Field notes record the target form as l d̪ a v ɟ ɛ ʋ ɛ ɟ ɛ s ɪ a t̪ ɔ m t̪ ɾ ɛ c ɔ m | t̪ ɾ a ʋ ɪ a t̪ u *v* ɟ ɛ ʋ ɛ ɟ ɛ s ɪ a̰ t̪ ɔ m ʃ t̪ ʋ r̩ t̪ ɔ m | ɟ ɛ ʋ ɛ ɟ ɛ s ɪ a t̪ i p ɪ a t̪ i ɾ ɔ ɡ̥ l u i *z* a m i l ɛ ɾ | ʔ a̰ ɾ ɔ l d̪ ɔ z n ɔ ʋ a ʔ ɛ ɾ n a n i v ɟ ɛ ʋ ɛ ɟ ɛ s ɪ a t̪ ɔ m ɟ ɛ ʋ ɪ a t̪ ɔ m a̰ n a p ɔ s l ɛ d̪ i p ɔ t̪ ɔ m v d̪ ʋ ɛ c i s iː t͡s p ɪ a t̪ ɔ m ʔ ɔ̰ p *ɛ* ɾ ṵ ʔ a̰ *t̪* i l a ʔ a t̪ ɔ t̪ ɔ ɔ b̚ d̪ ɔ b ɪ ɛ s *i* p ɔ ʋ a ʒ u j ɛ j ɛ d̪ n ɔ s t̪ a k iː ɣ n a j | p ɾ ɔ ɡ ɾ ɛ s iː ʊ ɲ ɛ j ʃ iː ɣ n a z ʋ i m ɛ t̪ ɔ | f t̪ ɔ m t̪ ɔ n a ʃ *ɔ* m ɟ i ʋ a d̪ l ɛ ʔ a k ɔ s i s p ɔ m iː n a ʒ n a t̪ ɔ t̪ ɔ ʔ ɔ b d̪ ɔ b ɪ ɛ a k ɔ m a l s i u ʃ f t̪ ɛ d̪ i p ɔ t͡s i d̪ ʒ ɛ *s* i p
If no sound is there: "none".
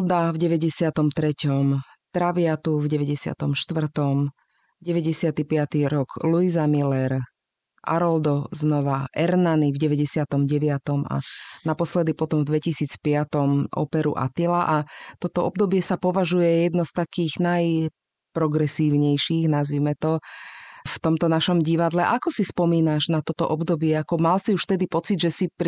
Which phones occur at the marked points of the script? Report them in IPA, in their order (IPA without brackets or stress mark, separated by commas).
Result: v, z, ɛ, t̪, a, ɔ, s